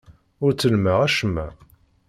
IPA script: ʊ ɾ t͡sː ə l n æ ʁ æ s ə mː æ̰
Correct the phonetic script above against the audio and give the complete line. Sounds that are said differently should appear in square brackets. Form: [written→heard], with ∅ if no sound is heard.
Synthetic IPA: ʊ ɾ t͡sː ə l [n→m] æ ʁ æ [s→ʃ] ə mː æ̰